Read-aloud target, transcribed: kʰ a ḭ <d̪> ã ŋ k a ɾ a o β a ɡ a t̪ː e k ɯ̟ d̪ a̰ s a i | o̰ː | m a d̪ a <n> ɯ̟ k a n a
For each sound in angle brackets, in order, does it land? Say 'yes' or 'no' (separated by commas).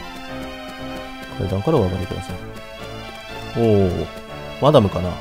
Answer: yes, no